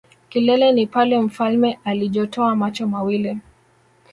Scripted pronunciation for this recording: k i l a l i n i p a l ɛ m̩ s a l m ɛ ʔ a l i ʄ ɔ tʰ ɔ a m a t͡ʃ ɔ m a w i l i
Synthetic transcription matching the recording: k i l ɛ l ɛ n i p a l ɛ m̩ f a l m ɛ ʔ a l i ʄ ɔ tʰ ɔ a m a t͡ʃ ɔ m a w i l i